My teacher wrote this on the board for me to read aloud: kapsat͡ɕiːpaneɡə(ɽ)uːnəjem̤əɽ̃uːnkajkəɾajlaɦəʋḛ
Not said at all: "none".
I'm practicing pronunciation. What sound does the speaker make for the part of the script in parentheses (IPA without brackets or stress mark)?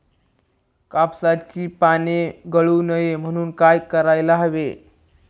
ɭ